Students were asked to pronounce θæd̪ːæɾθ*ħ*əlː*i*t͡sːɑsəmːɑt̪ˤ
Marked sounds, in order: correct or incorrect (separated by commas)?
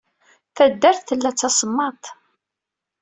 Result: incorrect, incorrect